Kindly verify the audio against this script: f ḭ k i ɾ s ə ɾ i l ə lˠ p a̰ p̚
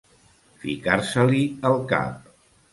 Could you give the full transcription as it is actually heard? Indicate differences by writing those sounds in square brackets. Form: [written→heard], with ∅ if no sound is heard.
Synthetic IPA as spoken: f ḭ k [i→a] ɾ s ə [ɾ→l] i [l→∅] ə lˠ [p→k] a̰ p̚

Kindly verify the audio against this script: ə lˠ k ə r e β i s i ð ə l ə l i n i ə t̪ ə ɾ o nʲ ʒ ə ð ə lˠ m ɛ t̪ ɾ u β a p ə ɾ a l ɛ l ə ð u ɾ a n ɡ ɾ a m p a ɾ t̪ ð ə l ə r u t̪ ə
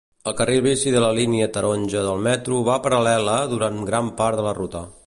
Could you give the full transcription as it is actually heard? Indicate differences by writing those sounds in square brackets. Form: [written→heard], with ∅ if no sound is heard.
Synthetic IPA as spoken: ə lˠ k ə r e β i s i ð ə l ə l i n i ə t̪ ə ɾ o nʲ ʒ ə ð ə lˠ m ɛ t̪ ɾ u β a p ə ɾ [a→ə] l ɛ l ə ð u ɾ a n ɡ ɾ a m p a ɾ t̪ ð ə l ə r u t̪ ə

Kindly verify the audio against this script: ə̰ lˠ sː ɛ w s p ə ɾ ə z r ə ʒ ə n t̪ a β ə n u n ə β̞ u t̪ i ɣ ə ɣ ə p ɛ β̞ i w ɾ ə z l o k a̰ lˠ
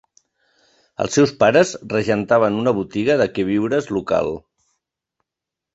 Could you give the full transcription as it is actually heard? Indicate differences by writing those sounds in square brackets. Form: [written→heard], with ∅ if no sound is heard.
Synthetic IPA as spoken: ə̰ lˠ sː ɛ w s p [ə→a] ɾ ə z r ə ʒ ə n t̪ a β ə n u n ə β̞ u t̪ i ɣ ə [ɣ→ð] ə [p→k] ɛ β̞ i w ɾ ə z l [o→u] k a̰ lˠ

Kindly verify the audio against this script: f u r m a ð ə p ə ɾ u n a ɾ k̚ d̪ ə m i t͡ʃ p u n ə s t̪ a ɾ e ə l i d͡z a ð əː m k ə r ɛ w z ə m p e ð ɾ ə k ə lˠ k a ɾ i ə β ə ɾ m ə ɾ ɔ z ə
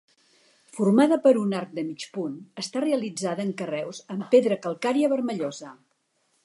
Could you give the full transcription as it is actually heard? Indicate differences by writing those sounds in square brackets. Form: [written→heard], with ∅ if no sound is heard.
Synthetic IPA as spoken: f u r m a ð ə p ə ɾ u n a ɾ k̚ d̪ ə m i t͡ʃ p u n ə s t̪ a [ɾ→r] e ə l i d͡z a ð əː [m→ŋ] k ə r ɛ w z ə m p e ð ɾ ə k ə lˠ k a ɾ i ə β ə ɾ m ə [ɾ→ʎ] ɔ z ə

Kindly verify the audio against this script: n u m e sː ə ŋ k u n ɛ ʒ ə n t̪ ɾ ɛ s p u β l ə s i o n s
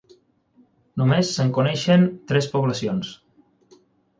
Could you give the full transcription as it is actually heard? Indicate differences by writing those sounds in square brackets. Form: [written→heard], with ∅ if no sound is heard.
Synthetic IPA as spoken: n u m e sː ə ŋ k u n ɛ [ʒ→ʃ] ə n t̪ ɾ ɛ s p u β l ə s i o n s

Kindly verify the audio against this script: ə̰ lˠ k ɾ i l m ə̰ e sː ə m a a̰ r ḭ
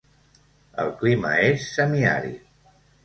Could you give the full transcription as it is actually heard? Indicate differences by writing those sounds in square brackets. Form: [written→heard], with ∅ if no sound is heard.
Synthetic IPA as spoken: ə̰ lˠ k [ɾ→l] i [l→∅] m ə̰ e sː ə m [a→i] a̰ [r→ɾ] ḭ

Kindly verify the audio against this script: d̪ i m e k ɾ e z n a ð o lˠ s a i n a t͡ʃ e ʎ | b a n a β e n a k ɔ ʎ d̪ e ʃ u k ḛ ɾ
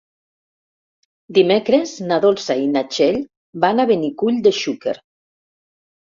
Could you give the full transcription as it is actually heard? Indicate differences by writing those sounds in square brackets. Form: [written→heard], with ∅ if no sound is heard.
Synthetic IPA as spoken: d̪ i m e k ɾ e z n a ð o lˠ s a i n a t͡ʃ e ʎ | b a n a β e n [a→i] k [ɔ→u] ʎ d̪ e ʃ u k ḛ ɾ

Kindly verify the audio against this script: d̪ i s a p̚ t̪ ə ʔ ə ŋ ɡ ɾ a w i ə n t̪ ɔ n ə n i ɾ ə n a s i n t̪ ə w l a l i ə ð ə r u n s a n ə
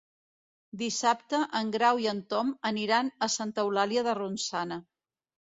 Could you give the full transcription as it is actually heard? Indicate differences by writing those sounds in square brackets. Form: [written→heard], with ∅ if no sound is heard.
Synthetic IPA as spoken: d̪ i s a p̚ t̪ ə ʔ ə ŋ ɡ ɾ a w i ə n t̪ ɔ [n→m] ə n i ɾ [ə→a] n [a→ə] s [i→a] n t̪ ə w l a l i ə ð ə r u n s a n ə

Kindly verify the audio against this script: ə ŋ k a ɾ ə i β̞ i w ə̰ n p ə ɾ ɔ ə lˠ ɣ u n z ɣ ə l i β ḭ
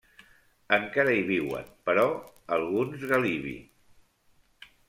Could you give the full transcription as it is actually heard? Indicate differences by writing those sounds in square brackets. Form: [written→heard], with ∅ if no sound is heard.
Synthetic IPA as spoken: ə ŋ k a ɾ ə i β̞ i w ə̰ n p ə ɾ ɔ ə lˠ ɣ u n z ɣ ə l i β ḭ

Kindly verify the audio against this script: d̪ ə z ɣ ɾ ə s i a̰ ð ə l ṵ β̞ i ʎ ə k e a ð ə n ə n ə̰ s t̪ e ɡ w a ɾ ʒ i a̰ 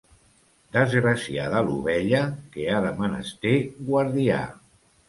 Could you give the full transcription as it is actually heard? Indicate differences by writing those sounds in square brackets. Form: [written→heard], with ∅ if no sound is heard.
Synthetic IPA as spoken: d̪ ə z ɣ ɾ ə s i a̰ ð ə l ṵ β̞ [i→ɛ] ʎ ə k e a ð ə [n→m] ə n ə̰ s t̪ e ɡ w a ɾ [ʒ→ð] i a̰

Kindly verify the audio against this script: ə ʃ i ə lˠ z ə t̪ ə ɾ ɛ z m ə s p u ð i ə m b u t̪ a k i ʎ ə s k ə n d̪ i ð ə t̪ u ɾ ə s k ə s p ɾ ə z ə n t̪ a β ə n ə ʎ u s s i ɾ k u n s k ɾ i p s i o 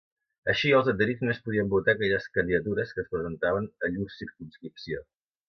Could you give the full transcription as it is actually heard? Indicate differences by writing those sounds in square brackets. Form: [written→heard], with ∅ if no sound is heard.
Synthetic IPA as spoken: ə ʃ i ə lˠ z ə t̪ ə ɾ [ɛ→i] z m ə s p u ð i ə m b u t̪ a k [i→ɛ] ʎ ə s k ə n d̪ i ð ə t̪ u ɾ ə s k ə s p ɾ ə z ə n t̪ a β ə n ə ʎ u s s i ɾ k u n s k ɾ i p s i o

